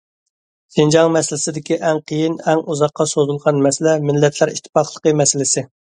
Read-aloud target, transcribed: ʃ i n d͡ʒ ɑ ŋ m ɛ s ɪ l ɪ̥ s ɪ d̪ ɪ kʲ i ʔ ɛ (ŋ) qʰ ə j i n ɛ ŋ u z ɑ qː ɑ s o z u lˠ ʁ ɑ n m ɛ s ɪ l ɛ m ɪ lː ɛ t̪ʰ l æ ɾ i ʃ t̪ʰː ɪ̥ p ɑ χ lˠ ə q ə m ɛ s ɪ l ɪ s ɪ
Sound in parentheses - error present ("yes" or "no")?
no